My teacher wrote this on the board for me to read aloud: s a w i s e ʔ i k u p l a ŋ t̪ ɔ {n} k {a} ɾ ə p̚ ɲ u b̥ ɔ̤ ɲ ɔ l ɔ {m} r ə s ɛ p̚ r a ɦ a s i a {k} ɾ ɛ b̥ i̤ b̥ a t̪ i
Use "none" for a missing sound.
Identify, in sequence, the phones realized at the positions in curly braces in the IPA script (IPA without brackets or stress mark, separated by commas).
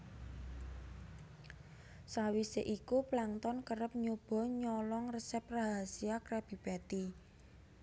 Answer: n, ə, ŋ, k